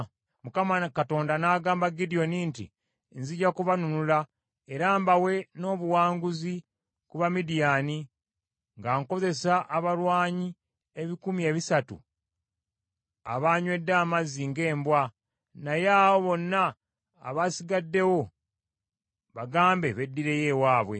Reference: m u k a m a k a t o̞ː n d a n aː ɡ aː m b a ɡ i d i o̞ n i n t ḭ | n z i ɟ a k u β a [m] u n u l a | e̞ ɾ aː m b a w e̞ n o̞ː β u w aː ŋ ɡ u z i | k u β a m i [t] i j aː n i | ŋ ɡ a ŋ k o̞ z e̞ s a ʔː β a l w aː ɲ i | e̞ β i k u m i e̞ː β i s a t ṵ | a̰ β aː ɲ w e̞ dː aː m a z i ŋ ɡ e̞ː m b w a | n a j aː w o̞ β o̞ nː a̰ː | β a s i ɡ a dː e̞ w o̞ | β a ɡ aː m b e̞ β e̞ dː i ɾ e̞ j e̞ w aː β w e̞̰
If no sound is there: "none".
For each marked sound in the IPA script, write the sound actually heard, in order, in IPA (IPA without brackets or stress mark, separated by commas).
n, d